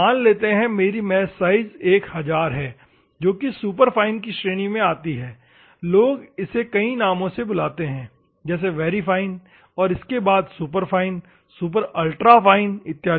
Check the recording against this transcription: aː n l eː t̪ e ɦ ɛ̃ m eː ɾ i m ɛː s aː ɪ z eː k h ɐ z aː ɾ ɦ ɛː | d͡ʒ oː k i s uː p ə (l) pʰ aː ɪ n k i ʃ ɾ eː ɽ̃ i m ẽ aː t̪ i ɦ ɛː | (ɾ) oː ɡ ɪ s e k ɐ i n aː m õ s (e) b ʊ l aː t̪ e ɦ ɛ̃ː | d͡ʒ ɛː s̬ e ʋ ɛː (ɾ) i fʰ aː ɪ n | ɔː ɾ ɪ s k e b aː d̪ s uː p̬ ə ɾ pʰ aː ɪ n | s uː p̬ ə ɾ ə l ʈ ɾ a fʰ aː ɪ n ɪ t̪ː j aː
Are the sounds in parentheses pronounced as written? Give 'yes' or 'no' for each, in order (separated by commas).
no, no, yes, yes